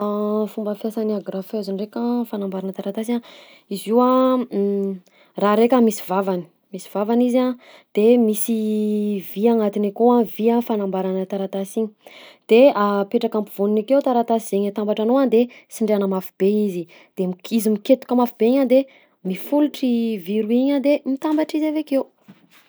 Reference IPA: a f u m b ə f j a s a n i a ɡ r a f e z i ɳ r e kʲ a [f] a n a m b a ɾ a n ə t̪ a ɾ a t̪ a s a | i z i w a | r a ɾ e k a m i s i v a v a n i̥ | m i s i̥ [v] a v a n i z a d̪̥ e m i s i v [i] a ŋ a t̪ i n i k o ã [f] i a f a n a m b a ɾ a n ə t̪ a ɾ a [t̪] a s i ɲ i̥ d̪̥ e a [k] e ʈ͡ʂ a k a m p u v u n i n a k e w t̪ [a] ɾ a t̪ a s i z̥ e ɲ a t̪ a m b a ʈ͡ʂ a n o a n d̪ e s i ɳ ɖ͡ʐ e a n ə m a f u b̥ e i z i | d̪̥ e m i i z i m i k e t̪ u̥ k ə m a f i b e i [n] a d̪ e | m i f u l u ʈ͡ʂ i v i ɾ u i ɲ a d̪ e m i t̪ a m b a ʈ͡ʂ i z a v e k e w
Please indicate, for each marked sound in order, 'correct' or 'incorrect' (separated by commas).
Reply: correct, correct, correct, incorrect, correct, incorrect, correct, incorrect